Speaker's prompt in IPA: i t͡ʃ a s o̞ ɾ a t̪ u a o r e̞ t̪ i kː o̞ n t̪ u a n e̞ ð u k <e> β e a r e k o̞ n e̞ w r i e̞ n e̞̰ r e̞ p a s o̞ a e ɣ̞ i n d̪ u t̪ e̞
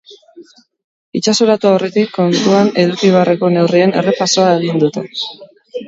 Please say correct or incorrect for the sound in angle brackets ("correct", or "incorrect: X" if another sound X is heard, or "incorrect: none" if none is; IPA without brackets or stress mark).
incorrect: i